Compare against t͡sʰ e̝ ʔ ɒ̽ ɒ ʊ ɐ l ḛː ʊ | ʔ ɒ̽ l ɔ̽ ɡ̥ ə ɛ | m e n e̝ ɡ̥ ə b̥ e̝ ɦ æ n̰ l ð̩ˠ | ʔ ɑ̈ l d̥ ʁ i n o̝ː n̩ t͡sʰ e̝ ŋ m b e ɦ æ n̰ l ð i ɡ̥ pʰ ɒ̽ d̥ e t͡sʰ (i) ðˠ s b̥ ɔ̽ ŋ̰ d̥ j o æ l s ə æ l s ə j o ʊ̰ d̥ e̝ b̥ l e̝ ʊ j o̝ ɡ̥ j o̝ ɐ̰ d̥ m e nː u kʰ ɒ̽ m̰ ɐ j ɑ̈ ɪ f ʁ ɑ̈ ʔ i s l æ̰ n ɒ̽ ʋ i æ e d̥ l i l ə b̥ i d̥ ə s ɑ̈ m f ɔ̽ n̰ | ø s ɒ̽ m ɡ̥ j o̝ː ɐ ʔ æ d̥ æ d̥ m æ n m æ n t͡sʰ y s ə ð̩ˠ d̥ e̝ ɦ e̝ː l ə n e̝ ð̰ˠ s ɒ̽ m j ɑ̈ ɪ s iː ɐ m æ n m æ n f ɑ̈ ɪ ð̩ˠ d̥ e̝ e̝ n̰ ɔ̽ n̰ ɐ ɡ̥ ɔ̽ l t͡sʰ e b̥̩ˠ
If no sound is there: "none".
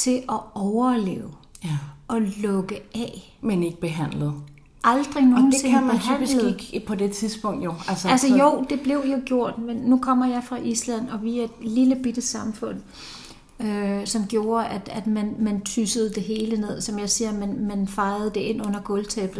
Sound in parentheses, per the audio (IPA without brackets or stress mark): i